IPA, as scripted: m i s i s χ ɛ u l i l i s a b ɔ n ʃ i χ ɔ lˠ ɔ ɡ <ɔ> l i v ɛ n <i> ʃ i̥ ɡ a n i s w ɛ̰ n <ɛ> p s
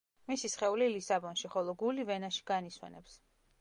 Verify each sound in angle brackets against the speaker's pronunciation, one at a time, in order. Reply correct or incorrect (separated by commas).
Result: incorrect, incorrect, correct